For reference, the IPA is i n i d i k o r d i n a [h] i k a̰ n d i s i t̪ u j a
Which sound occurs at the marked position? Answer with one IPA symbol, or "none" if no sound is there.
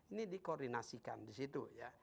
s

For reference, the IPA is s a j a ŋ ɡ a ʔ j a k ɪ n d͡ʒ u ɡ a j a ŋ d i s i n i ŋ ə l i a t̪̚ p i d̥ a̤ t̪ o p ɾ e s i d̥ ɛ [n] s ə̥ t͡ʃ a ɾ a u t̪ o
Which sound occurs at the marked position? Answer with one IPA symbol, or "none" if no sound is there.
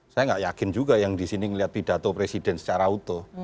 n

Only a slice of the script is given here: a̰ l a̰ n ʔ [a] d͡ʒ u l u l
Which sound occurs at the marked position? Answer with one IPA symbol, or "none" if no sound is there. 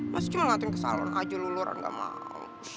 a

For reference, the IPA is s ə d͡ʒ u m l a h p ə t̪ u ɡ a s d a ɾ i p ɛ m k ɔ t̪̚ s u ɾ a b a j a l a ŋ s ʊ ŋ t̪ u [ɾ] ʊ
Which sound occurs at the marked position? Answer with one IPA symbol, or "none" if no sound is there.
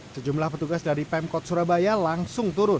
ɾ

